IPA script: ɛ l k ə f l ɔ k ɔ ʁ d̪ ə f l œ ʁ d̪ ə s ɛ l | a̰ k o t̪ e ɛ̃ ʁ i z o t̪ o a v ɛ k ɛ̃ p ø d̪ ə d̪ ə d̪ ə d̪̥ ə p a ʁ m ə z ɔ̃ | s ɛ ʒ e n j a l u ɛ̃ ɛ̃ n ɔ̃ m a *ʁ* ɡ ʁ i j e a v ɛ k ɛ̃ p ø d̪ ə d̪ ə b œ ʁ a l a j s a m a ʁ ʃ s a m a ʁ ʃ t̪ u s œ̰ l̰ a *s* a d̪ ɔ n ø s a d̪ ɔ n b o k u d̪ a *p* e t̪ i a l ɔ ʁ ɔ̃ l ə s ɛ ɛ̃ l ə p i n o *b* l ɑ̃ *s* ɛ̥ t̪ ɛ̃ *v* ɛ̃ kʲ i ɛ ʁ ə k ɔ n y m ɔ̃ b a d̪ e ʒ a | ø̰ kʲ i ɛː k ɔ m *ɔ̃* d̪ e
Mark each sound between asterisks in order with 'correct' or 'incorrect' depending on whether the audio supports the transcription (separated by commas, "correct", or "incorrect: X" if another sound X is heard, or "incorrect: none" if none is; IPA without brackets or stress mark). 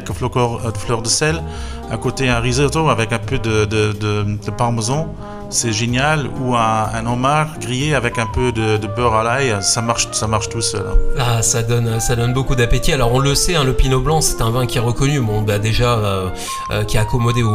correct, correct, correct, correct, correct, correct, incorrect: ɔ